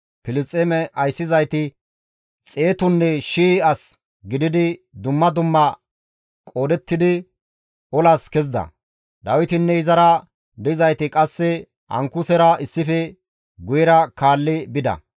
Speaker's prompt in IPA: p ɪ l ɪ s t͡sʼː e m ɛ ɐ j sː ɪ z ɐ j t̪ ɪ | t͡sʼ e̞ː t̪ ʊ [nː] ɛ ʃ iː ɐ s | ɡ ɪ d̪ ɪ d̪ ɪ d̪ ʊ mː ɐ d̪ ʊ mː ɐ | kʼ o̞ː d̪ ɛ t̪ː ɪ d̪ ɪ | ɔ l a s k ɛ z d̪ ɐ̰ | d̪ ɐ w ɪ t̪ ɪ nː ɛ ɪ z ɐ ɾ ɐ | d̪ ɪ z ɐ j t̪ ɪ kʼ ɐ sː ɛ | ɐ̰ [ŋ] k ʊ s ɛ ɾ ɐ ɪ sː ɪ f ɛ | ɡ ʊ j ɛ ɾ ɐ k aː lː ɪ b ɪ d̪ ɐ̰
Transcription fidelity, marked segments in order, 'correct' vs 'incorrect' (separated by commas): correct, correct